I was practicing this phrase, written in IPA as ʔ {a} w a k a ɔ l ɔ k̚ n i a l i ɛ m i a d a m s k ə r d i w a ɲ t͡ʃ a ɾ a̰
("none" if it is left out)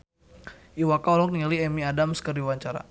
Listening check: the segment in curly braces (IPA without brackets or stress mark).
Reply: i